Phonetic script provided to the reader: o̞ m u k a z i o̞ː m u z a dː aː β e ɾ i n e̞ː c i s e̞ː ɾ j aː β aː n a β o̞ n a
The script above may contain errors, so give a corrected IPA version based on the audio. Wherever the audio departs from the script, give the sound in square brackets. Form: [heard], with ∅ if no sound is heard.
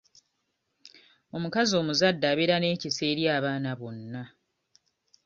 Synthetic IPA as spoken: o̞ m u k a z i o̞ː m u z a dː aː β e ɾ [a] n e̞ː c i s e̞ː ɾ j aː β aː n a β o̞ [nː] a